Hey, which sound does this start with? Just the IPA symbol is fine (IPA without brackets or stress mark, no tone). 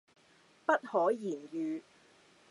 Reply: p